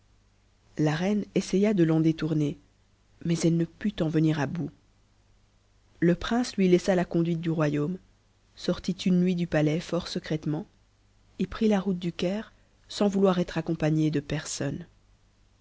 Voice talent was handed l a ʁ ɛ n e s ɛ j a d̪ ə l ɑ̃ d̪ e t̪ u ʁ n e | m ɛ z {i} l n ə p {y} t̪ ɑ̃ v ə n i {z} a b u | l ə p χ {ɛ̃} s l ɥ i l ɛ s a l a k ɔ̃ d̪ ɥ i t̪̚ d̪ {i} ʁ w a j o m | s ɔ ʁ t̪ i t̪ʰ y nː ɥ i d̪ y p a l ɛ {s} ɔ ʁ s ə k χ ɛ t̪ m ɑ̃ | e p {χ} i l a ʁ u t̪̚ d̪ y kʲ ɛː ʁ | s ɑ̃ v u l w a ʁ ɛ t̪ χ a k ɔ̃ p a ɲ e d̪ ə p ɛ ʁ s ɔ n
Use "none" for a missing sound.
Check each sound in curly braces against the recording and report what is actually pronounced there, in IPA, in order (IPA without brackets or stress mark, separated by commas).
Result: ɛ, y, ʁ, ɛ̃, y, f, χ